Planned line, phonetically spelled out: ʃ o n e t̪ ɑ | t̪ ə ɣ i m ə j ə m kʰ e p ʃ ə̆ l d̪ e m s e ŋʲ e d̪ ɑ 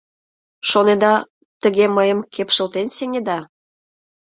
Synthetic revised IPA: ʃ o n e d̪ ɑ | t̪ ə ɣ e m ə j ə m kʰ e p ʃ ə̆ l t̪ e n s e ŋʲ e d̪ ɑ